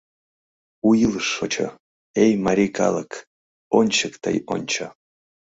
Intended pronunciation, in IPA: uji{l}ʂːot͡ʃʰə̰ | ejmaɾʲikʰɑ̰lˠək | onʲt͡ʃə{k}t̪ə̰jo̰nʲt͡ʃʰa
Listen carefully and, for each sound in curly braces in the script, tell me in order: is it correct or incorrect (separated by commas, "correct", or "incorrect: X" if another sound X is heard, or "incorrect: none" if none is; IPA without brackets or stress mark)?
correct, correct